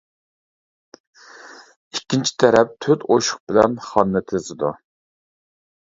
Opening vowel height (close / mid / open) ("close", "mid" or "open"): close